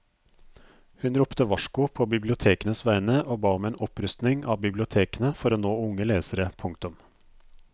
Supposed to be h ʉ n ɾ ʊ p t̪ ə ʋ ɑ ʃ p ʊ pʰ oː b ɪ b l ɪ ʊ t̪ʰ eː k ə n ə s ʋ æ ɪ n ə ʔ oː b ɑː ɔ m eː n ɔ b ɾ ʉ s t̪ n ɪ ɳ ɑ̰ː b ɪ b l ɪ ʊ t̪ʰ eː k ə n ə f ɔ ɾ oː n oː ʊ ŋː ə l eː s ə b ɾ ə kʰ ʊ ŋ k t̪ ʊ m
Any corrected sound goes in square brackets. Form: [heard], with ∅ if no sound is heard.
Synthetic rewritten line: h ʉ n ɾ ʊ p t̪ ə ʋ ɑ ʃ [k] ʊ pʰ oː b ɪ b l ɪ ʊ t̪ʰ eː k ə n ə s ʋ æ ɪ n ə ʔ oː b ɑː ɔ m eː n ɔ [p] ɾ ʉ s t̪ n ɪ [ŋ] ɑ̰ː b ɪ b l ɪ ʊ t̪ʰ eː k ə n ə f ɔ ɾ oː n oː ʊ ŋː ə l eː s ə [∅] ɾ ə [pʰ] ʊ ŋ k t̪ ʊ m